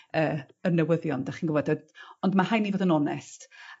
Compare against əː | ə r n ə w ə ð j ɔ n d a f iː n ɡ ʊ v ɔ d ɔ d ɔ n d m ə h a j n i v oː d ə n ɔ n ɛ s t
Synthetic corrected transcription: əː | ə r n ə w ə ð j ɔ n d a χ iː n ɡ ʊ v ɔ d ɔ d ɔ n d m a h a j n i v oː d ə n ɔ n ɛ s t